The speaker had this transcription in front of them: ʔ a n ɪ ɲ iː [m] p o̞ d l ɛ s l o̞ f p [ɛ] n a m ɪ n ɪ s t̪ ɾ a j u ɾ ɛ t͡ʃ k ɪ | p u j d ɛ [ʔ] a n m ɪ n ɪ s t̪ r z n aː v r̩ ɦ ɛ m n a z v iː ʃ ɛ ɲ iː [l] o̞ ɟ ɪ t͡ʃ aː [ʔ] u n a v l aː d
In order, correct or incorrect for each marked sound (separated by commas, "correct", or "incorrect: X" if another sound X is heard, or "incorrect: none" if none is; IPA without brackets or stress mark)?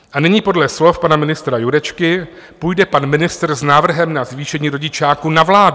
incorrect: none, incorrect: a, incorrect: p, incorrect: ɾ, incorrect: k